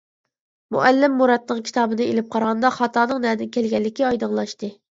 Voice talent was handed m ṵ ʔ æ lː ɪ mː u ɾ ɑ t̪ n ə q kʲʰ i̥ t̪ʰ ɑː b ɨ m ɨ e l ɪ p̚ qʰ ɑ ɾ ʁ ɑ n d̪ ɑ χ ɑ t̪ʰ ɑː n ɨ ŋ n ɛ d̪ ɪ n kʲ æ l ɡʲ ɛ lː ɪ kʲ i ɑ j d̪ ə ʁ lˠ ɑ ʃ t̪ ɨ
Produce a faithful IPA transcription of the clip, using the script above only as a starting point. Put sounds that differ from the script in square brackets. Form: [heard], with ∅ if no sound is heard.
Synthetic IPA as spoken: m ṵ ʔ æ lː ɪ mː u ɾ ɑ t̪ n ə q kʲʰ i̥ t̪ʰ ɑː b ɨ [n] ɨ e l ɪ p̚ qʰ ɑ ɾ ʁ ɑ n d̪ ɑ χ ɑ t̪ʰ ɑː n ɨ ŋ n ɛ d̪ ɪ n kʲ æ l ɡʲ ɛ lː ɪ kʲ i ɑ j d̪ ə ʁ lˠ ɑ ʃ t̪ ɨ